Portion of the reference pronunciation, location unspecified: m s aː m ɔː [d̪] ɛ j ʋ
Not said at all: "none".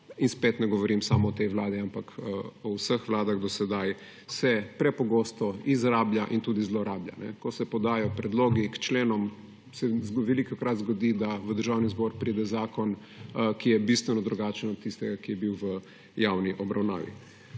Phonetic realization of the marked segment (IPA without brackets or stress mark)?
t̪